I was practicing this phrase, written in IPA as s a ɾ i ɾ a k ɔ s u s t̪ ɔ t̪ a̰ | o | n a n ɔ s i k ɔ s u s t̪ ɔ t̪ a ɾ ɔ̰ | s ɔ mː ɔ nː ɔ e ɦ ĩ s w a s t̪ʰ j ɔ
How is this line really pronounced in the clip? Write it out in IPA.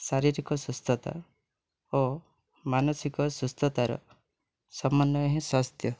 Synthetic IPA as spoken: s a ɾ i ɾ i k ɔ s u s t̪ ɔ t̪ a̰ | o | m a n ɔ s i k ɔ s u s t̪ ɔ t̪ a ɾ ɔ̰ | s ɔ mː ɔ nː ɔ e ɦ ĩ s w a s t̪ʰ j ɔ